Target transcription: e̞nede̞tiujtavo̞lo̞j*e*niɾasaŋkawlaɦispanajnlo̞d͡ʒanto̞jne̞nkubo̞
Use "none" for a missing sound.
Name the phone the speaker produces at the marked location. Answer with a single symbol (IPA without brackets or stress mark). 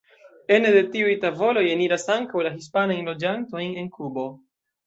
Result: e